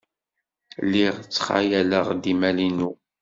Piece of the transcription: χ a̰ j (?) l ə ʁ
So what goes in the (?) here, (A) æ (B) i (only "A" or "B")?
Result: A